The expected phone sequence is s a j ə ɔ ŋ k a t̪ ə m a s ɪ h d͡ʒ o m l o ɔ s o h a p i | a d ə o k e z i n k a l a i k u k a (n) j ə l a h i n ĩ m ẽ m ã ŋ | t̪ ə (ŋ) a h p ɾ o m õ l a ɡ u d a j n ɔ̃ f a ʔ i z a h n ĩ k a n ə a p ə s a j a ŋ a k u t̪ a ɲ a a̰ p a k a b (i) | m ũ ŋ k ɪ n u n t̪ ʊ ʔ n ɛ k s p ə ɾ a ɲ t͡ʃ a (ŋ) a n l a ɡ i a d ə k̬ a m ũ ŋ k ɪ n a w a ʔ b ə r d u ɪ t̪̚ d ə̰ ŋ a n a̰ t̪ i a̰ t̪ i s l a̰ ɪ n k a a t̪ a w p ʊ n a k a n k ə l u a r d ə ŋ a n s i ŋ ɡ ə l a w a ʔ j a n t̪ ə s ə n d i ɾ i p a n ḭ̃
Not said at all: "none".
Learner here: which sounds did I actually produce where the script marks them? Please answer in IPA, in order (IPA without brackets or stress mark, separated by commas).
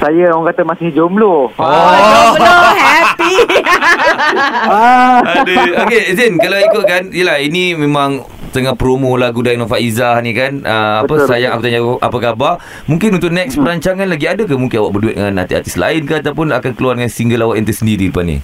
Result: n, ŋ, a, ŋ